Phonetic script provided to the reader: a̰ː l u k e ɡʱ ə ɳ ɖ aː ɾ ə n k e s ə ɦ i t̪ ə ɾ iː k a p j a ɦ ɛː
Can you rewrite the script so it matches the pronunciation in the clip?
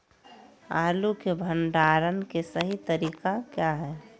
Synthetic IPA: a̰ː l u k e bʱ ə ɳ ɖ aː ɾ ə n k e s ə ɦ i t̪ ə ɾ iː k a k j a ɦ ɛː